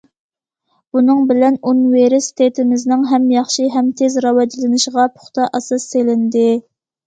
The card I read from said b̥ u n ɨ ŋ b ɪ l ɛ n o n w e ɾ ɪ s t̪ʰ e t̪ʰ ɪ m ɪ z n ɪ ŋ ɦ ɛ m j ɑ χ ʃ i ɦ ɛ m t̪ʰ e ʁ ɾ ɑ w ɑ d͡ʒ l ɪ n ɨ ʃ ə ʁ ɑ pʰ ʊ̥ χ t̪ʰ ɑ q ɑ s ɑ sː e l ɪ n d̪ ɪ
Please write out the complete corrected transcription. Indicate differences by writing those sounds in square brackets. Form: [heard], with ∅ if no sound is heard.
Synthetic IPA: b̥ u n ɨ ŋ b ɪ l ɛ n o n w e ɾ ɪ s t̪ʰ e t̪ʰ ɪ m ɪ z n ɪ ŋ ɦ ɛ m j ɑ χ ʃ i ɦ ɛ m t̪ʰ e [z] ɾ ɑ w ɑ d͡ʒ l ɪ n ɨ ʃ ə ʁ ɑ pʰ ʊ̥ χ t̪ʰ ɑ [ʔ] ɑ s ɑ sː e l ɪ n d̪ ɪ